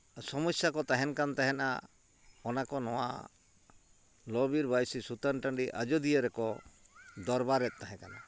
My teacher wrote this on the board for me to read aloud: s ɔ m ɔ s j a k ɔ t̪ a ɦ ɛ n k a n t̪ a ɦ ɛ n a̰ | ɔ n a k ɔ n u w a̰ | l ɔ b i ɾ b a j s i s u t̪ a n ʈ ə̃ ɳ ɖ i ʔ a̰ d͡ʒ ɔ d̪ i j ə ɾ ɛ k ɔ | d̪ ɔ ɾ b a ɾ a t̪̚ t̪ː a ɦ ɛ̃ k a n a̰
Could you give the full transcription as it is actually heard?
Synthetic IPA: s ɔ m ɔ s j a k ɔ t̪ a ɦ ɛ n k a n t̪ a ɦ ɛ n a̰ | ɔ n a k ɔ n ɔ w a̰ | l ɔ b i ɾ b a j s i s u t̪ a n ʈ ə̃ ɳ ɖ i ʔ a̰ d͡ʒ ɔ d̪ i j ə ɾ ɛ k ɔ | d̪ ɔ ɾ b a ɾ ɛ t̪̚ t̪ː a ɦ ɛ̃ k a n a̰